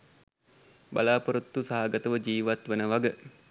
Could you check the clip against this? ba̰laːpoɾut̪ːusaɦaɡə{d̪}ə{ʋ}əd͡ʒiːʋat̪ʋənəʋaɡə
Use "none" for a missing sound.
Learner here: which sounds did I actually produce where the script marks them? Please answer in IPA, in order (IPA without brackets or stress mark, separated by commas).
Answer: t̪, ʋ